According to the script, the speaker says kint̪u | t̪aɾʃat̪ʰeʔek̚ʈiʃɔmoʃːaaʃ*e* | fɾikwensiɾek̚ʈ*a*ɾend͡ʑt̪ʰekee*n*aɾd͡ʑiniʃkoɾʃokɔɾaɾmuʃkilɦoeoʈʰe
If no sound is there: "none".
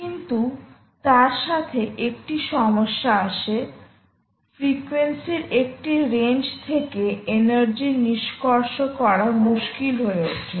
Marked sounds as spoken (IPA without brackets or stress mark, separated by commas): e, i, n